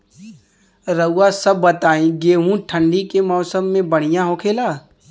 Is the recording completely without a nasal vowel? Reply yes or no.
no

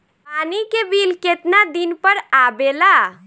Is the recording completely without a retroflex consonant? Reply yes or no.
yes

